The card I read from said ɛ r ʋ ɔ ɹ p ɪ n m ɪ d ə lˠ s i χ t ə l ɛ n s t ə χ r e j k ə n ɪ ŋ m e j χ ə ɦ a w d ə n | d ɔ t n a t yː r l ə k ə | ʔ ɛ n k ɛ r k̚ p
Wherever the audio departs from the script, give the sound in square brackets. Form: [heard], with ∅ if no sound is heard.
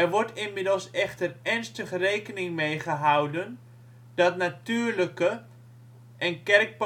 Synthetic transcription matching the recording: ɛ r ʋ ɔ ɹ [t] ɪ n m ɪ d ə lˠ s [ɛ] χ t ə [r] ɛ n s t ə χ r e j k ə n ɪ ŋ m e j χ ə ɦ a w d ə n | d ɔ t n a t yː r l ə k ə | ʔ ɛ n k ɛ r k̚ p